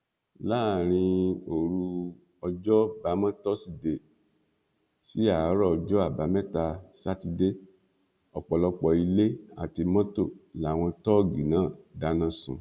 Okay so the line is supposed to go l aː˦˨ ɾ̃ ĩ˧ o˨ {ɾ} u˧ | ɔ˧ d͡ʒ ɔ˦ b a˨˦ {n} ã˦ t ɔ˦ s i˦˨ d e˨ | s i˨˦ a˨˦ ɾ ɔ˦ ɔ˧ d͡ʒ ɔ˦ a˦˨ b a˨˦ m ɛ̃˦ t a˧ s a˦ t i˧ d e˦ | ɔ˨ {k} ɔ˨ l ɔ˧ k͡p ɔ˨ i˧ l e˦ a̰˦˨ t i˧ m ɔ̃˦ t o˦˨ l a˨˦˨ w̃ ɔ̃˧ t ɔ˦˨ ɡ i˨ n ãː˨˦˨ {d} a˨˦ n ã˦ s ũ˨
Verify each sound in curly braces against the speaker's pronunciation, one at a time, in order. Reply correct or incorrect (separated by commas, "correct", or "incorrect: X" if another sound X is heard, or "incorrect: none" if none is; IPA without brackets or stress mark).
correct, incorrect: m, incorrect: k͡p, correct